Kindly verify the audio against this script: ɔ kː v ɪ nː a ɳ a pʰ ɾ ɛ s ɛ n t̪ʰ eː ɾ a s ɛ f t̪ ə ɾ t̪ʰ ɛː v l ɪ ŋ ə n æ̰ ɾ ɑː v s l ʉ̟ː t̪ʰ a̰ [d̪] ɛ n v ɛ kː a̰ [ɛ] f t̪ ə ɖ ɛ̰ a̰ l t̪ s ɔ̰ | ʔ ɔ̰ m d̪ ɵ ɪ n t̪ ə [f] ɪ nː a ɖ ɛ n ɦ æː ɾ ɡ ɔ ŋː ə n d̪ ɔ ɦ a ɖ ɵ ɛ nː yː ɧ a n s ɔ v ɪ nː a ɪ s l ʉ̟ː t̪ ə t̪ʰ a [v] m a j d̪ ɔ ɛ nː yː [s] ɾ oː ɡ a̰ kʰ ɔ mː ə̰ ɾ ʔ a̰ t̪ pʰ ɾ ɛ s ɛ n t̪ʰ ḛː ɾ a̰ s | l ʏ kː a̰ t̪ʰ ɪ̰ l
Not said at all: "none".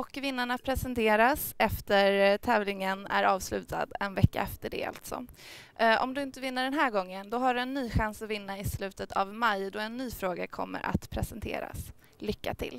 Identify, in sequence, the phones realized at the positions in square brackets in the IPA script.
d̪, ɛ, v, v, f

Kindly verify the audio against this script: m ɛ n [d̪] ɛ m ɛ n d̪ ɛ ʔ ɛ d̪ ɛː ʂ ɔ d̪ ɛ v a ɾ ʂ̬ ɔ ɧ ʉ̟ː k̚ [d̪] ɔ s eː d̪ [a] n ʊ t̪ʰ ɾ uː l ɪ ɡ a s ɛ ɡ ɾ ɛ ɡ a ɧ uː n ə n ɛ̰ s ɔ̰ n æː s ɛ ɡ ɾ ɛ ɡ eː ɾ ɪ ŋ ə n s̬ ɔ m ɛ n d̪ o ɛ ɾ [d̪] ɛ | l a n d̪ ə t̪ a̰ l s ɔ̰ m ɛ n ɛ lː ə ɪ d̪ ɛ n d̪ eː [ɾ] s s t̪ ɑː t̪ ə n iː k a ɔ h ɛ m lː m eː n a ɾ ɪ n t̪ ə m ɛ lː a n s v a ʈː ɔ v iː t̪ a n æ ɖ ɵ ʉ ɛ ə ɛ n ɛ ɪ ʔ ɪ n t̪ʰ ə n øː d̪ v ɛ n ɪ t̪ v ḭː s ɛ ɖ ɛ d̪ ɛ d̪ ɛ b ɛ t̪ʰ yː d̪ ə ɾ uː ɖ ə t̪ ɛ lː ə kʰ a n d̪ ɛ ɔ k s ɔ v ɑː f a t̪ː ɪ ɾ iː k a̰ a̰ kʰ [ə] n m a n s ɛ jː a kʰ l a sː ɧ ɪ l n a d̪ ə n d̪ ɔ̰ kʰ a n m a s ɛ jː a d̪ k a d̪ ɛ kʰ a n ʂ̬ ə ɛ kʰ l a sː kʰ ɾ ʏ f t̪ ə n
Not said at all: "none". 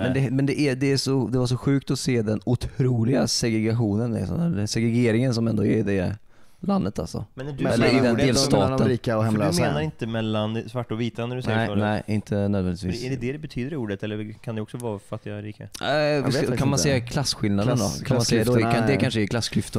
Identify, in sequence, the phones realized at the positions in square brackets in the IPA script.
d̪, t̪, ɛ, d̪, l, a

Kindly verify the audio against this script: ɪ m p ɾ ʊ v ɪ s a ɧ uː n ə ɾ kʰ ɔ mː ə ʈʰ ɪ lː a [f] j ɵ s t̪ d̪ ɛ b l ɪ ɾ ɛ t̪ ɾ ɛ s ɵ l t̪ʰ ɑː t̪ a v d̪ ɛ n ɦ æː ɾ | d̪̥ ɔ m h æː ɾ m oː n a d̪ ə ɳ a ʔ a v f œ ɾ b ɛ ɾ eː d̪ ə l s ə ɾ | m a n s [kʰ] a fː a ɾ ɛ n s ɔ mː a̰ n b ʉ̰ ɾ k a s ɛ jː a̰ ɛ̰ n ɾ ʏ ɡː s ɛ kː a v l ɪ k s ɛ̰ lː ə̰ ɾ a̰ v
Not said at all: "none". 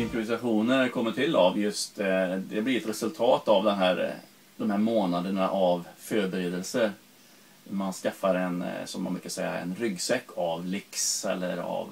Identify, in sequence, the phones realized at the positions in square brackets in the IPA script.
v, k

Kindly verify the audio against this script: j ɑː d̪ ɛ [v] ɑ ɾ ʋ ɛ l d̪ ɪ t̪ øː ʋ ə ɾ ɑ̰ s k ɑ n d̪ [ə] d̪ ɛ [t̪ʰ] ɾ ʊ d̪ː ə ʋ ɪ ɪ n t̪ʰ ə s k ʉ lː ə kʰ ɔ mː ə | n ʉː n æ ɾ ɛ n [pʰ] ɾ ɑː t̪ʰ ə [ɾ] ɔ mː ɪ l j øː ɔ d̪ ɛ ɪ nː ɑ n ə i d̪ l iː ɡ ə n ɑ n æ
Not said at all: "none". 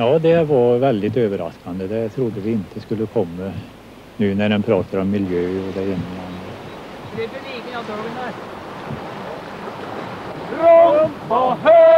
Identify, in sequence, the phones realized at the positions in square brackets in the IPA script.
ʋ, ə, t̪ʰ, pʰ, ɾ

